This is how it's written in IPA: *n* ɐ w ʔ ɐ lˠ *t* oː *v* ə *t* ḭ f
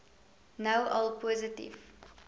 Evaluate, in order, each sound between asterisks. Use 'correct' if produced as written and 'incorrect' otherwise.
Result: correct, incorrect: p, incorrect: z, correct

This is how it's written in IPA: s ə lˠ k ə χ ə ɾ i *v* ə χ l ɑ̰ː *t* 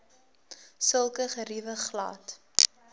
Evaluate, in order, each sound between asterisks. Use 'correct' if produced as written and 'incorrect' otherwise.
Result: correct, correct

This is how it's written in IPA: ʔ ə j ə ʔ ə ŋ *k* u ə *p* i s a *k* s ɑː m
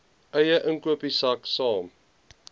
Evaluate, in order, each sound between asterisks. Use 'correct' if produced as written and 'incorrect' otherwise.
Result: correct, correct, correct

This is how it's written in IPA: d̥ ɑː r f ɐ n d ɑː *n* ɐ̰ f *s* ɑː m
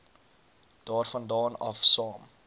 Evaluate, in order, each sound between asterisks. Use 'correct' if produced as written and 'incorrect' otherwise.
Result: correct, correct

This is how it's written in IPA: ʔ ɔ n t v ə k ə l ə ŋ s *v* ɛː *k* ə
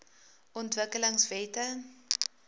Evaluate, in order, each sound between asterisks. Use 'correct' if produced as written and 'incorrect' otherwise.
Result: correct, incorrect: t

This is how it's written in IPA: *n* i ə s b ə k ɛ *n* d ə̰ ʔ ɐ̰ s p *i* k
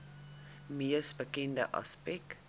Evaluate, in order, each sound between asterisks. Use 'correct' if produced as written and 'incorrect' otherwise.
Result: incorrect: m, correct, incorrect: ɛ

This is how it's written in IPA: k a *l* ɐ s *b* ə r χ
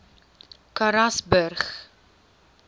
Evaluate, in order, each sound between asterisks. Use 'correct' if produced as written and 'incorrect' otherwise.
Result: incorrect: ɾ, correct

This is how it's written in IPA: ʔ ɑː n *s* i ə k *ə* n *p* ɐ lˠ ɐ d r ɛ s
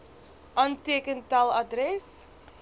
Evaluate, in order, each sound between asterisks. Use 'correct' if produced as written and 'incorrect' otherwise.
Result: incorrect: t, correct, incorrect: t

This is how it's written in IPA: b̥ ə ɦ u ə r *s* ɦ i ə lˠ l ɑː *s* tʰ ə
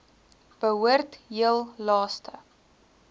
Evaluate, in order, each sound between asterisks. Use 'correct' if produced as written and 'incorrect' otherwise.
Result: incorrect: t, correct

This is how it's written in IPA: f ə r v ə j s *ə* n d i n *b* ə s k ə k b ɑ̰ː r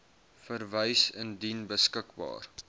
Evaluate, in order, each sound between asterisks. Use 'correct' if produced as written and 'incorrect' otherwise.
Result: correct, correct

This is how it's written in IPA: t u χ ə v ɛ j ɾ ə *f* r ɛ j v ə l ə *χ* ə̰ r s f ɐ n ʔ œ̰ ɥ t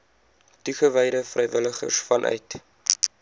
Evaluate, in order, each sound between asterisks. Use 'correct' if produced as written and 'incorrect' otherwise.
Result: correct, correct

